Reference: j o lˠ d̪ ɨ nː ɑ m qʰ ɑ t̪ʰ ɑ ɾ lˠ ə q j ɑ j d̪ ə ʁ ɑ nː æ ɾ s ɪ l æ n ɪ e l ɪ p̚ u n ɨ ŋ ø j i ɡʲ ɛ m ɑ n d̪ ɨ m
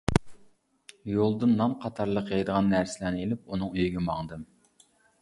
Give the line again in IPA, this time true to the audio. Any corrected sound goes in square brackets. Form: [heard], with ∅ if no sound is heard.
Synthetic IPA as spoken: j o lˠ d̪ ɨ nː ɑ m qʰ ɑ t̪ʰ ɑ ɾ lˠ ə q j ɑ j d̪ ə ʁ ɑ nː æ ɾ s ɪ l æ n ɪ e l ɪ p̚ u n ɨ ŋ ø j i ɡʲ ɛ m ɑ [ŋ] d̪ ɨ m